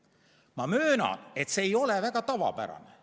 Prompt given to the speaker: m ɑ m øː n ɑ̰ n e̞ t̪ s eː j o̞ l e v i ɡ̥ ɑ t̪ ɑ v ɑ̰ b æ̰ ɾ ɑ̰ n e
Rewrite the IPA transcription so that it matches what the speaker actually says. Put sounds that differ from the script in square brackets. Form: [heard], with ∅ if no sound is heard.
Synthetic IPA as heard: m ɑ m øː n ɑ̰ n e̞ t̪ s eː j o̞ l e v [æ] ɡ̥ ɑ t̪ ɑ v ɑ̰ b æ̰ ɾ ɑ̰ n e